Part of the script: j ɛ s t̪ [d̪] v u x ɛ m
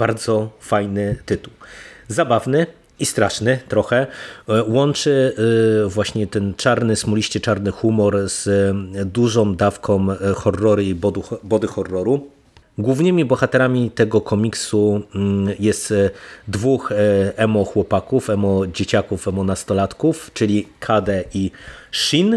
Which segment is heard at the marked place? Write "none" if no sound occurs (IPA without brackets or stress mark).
d̪